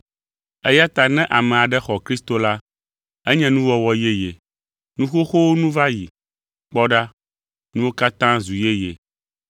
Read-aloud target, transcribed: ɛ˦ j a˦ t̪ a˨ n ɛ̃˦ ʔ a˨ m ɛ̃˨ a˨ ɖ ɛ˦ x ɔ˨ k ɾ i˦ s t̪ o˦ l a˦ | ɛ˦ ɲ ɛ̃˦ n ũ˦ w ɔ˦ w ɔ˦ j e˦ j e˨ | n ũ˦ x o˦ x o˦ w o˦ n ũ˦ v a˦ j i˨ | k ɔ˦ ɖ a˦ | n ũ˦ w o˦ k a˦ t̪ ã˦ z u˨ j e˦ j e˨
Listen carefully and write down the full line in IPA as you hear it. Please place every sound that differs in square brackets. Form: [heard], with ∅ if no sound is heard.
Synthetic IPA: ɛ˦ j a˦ t̪ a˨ n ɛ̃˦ ʔ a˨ m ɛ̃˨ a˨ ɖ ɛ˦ x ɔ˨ k ɾ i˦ s t̪ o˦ l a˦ | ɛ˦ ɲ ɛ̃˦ n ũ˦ w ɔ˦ w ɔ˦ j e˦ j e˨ | n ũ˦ x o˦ x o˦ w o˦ n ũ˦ v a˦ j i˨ | [k͡p] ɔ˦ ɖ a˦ | n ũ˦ w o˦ k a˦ t̪ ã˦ z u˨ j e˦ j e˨